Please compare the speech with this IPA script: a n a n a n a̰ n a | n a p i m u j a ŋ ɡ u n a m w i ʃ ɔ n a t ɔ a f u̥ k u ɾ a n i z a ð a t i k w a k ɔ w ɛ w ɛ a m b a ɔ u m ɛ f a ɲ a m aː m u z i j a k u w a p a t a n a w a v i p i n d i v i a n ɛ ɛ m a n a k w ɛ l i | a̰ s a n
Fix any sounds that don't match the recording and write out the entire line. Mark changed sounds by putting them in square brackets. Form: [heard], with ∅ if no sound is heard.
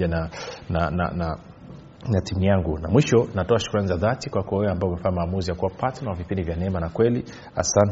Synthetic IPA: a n a n a n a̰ n a | n a [t] i m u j a ŋ ɡ u n a m w i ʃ ɔ n a t ɔ a [ʃ] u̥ k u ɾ a n i z a ð a t i k w a k ɔ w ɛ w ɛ a m b a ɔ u m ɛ f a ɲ a m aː m u z i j a k u w a p a t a n a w a v i p i n d i v [j] a n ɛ ɛ m a n a k w ɛ l i | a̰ s a n